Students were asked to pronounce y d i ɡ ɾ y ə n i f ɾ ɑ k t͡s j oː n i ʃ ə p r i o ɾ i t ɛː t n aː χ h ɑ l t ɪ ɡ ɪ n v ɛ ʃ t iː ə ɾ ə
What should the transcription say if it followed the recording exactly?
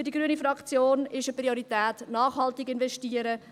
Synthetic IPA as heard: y d i ɡ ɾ y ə n i f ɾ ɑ k t͡s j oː n ɪ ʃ ə p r i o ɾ i t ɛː t n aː χ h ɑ l t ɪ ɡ ɪ n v ɛ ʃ t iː ə ɾ ə